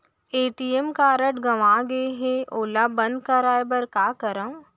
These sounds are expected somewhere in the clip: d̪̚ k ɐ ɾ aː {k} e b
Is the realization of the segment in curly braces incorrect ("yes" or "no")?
yes